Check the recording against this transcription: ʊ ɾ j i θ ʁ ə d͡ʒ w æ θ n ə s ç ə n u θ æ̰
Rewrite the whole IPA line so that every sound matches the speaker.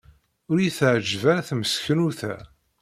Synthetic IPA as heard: ʊ ɾ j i θ ʕ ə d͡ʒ v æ θ m ə s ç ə n u θ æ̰